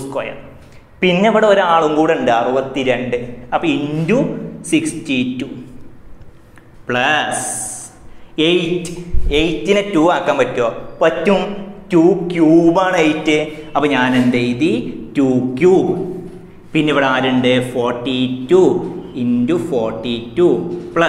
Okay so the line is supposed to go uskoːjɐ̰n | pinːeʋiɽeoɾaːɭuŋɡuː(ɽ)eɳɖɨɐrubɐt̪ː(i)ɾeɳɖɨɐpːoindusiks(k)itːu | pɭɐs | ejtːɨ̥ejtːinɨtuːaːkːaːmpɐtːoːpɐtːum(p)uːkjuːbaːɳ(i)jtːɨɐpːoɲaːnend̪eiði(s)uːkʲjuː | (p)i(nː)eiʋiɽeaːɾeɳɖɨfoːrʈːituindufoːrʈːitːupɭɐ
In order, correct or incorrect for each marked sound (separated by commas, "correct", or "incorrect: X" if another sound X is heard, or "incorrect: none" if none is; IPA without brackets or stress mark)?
correct, correct, incorrect: t, incorrect: t, incorrect: e, incorrect: t, correct, correct